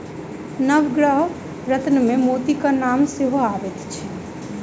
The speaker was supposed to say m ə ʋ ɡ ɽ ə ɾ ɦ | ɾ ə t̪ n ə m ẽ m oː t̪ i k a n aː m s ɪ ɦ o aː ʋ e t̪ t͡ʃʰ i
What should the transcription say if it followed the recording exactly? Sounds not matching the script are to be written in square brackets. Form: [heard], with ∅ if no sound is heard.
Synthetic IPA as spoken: [n] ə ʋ ɡ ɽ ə [∅] ɦ | ɾ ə t̪ n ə m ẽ m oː t̪ i k a n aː m s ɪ ɦ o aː ʋ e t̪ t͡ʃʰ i